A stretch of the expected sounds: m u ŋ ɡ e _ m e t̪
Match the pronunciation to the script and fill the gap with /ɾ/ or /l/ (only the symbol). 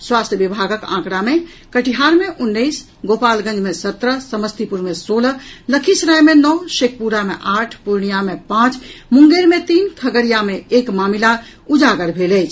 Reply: ɾ